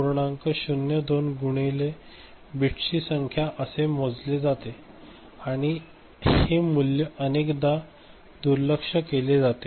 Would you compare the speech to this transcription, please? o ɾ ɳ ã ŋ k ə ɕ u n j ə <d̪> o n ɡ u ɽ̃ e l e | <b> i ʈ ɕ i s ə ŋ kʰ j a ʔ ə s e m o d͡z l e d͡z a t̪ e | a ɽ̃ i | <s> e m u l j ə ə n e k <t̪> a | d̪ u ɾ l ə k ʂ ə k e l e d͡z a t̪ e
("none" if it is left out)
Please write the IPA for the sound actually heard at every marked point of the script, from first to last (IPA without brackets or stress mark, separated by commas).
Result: d̪, b, h, d̪